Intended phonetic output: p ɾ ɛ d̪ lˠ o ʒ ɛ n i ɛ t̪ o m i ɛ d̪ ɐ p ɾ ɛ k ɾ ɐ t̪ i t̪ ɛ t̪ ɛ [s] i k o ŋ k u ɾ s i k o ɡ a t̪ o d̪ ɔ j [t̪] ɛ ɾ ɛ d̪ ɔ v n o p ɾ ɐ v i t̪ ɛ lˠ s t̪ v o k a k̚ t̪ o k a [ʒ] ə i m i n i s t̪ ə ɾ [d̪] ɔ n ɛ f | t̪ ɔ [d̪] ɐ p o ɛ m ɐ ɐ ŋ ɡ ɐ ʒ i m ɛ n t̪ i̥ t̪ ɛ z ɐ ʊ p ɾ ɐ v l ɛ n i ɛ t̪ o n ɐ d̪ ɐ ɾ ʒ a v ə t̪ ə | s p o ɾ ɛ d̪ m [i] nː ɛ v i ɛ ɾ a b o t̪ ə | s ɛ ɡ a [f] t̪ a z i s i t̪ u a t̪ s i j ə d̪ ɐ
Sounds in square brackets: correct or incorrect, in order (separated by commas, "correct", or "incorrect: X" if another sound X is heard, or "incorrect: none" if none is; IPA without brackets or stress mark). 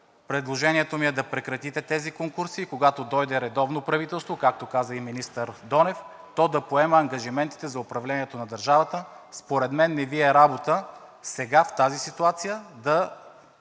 incorrect: z, incorrect: d̪, incorrect: z, correct, correct, incorrect: ɛ, correct